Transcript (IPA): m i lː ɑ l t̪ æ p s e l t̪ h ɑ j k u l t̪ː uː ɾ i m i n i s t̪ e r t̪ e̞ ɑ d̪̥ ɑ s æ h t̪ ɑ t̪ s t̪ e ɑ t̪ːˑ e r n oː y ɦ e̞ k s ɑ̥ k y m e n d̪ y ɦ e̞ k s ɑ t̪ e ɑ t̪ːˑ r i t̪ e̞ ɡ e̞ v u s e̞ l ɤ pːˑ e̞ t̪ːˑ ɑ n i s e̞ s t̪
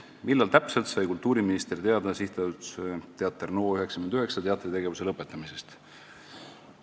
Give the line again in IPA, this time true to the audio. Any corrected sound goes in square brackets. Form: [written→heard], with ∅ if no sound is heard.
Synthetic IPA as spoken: m i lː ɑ l t̪ æ p s e l t̪ [h→s] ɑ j k u l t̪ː uː ɾ i m i n i s t̪ e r t̪ e̞ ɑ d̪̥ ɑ s [æ→i] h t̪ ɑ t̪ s t̪ e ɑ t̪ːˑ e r n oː y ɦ e̞ k s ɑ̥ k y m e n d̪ y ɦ e̞ k s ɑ t̪ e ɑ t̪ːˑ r i t̪ e̞ ɡ e̞ v u s e̞ l ɤ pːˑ e̞ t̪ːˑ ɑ [n→m] i s e̞ s t̪